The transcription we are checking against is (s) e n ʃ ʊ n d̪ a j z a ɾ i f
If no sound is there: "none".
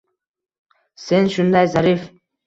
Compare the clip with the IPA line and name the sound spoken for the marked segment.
s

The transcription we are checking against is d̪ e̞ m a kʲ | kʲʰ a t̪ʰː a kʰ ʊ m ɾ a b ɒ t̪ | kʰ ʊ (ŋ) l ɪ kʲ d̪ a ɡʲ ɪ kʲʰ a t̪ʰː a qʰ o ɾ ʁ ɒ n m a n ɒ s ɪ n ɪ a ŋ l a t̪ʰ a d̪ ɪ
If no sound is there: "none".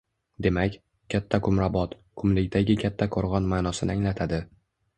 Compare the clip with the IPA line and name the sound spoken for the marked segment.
m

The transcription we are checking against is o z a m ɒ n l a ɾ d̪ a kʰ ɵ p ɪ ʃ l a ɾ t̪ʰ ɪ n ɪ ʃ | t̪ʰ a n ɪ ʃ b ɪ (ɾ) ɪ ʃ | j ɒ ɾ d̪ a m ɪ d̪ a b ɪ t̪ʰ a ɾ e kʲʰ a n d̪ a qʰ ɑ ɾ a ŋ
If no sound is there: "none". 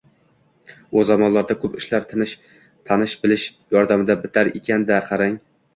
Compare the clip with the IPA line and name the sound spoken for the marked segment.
l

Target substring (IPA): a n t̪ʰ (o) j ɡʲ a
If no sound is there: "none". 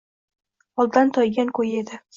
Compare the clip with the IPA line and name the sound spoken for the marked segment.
ɒ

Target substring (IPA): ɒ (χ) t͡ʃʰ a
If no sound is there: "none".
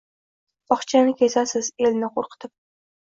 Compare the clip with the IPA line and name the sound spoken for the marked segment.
χ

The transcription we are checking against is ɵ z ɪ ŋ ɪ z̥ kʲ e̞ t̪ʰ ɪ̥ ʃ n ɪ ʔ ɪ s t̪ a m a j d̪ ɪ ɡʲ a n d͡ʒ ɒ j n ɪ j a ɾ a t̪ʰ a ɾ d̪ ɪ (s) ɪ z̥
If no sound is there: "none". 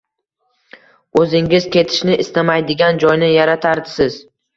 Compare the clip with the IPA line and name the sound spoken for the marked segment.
s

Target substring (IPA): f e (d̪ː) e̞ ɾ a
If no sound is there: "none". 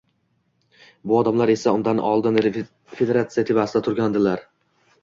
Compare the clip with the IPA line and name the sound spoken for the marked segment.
d̪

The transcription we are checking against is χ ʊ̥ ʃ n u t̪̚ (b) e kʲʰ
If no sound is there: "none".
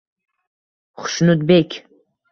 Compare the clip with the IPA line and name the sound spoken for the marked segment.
b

